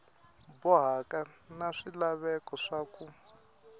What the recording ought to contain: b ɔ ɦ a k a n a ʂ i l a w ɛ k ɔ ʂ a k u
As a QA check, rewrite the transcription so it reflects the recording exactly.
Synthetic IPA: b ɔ ɦ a k a n a ʂ i l a β ɛ k ɔ ʂ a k u